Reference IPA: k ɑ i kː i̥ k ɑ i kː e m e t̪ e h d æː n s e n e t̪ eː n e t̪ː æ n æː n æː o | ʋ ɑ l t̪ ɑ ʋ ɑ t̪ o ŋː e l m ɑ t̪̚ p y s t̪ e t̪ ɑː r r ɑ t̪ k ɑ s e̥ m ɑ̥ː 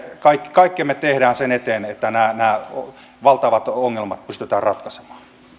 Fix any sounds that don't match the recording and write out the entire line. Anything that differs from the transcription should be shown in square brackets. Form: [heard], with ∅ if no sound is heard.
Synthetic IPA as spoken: k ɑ i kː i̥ k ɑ i kː e m e t̪ e h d æː n s e n e t̪ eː n e t̪ː æ n æː n æː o | ʋ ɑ l t̪ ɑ ʋ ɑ t̪ o ŋː e l m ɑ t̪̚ p y s t̪ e t̪ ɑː r r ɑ t̪ k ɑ s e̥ m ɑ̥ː